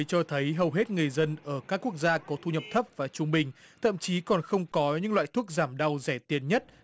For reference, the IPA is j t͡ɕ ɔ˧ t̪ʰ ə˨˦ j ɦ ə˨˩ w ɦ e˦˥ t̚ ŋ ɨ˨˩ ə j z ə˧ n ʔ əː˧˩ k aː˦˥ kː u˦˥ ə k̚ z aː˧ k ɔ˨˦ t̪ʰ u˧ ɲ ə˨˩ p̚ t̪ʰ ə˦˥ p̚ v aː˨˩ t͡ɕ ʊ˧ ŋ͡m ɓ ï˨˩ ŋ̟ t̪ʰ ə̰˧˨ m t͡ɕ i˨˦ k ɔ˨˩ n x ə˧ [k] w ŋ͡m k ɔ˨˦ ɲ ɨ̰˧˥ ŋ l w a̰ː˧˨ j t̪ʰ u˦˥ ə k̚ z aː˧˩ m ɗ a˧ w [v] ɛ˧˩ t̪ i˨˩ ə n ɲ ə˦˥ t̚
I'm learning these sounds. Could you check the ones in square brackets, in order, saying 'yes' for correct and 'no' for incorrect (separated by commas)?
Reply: no, no